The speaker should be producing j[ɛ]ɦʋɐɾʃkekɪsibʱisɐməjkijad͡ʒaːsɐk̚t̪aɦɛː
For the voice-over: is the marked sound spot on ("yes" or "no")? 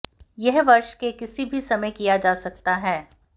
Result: yes